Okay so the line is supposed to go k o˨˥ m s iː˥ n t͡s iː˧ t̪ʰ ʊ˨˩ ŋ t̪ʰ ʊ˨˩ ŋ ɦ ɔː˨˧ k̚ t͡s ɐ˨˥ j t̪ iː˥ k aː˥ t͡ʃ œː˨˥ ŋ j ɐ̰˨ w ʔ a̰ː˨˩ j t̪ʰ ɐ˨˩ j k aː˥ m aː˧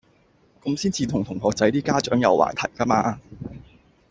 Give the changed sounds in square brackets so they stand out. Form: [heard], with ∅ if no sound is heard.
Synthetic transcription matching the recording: k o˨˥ m s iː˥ n t͡s iː˧ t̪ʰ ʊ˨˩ ŋ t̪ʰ ʊ˨˩ ŋ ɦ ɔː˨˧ k̚ t͡s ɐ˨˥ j t̪ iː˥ k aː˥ t͡ʃ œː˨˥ ŋ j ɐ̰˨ w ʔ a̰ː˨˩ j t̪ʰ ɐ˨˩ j k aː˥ m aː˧